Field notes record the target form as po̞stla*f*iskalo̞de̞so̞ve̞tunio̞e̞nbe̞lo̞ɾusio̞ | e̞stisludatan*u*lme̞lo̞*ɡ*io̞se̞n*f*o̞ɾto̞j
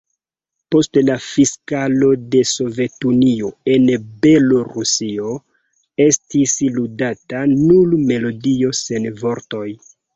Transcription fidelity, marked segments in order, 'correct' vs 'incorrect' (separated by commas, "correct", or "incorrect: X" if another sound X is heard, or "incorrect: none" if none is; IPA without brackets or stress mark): correct, correct, incorrect: d, incorrect: v